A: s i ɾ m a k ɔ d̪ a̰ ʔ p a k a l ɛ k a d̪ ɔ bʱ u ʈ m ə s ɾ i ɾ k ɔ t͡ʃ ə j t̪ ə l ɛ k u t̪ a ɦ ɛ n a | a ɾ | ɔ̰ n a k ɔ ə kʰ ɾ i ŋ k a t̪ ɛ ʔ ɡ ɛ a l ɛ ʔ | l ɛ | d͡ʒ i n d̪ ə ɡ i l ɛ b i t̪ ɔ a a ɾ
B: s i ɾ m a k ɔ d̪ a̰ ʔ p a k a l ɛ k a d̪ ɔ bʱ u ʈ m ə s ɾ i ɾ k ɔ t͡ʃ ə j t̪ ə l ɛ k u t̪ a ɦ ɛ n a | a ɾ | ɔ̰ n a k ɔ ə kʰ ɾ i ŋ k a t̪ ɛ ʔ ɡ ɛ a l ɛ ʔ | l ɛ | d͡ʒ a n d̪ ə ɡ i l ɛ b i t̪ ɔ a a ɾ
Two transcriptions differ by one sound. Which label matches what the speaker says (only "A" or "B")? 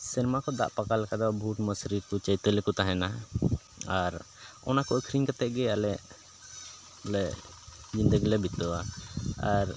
A